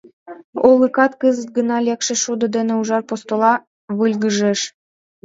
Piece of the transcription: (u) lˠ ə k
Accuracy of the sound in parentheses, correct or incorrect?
incorrect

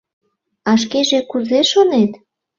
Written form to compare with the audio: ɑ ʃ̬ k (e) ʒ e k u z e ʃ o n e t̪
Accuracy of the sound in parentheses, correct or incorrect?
correct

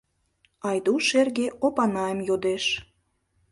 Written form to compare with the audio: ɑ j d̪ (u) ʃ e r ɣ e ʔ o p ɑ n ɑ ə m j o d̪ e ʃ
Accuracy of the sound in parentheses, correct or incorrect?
correct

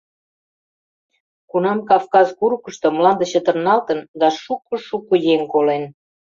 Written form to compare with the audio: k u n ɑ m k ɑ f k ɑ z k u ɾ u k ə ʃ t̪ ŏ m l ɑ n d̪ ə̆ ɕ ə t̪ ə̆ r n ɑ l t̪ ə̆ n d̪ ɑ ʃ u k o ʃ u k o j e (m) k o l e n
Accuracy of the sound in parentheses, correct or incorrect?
incorrect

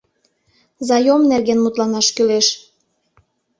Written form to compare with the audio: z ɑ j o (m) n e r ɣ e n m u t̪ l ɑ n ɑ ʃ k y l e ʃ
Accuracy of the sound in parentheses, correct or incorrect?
correct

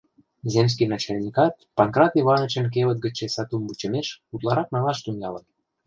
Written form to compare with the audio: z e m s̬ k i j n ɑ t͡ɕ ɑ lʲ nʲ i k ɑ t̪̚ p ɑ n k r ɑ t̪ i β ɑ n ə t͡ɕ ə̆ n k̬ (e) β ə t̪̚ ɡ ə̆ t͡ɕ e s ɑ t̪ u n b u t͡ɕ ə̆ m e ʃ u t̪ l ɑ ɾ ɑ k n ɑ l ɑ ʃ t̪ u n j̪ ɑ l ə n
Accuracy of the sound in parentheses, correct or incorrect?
correct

